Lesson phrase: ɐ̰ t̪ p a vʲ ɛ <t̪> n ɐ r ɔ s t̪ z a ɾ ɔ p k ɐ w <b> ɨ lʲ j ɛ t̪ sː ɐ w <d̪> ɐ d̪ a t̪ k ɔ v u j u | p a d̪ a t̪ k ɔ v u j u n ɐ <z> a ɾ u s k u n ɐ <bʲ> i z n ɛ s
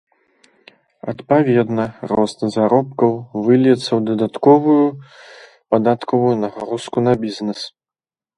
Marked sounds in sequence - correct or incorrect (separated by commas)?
incorrect, incorrect, correct, incorrect, correct